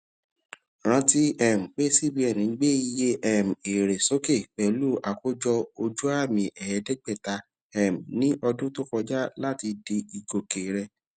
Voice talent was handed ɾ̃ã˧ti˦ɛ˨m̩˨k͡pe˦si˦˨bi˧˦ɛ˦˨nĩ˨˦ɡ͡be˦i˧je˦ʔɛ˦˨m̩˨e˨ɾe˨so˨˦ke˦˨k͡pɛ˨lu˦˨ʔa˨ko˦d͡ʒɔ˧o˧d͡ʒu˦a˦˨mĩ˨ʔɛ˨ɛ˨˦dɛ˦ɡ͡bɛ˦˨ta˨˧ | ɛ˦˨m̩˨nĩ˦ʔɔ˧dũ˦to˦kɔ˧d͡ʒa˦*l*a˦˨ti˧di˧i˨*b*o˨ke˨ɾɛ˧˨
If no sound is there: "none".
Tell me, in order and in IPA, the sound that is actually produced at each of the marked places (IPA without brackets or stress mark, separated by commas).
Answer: l, ɡ